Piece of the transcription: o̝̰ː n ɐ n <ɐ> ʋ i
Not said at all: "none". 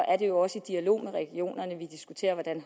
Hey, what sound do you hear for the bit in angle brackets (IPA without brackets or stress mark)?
ə